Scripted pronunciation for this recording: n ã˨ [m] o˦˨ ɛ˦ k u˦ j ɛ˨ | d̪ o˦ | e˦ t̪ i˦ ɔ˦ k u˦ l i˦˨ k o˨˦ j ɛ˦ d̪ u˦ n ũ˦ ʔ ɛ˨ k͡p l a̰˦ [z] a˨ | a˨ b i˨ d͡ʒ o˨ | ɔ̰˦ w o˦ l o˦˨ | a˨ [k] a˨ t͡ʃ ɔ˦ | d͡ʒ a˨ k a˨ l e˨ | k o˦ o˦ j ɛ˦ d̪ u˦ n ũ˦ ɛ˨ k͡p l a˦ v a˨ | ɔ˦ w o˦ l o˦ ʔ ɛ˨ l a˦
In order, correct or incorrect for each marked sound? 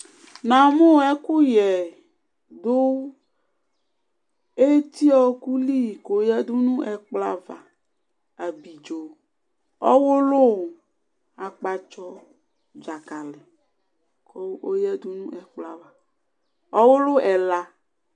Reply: correct, incorrect: v, incorrect: k͡p

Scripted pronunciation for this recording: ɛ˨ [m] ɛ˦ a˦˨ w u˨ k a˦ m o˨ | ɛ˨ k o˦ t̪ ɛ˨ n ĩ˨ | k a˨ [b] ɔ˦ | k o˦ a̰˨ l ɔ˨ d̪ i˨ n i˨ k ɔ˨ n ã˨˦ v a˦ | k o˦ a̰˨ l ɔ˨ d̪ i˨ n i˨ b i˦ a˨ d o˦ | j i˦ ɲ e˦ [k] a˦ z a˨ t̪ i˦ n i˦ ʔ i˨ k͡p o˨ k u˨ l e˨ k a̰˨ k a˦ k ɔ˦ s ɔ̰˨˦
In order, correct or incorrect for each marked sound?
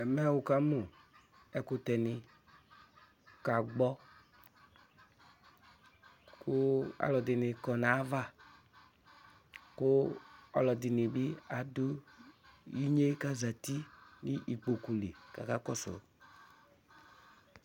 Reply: correct, incorrect: ɡ͡b, correct

